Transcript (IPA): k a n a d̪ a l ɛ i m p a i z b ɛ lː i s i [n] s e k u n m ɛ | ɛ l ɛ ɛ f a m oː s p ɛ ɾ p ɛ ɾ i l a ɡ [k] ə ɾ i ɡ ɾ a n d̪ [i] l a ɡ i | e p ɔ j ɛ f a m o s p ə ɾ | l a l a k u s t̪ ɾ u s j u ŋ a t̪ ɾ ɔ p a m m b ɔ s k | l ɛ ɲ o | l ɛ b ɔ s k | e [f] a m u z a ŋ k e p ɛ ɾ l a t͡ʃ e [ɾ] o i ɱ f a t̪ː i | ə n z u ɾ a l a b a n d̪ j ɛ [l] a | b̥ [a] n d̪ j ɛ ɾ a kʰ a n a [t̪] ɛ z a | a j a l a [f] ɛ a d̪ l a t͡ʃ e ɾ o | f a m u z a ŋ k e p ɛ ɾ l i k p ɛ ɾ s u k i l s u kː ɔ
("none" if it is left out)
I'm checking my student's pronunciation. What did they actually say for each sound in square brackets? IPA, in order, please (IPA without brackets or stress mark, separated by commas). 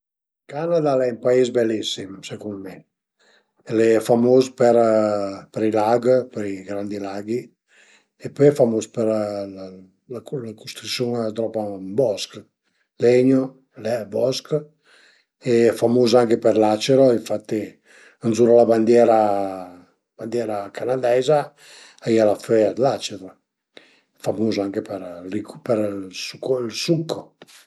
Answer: m, p, i, f, ɾ, ɾ, a, d̪, f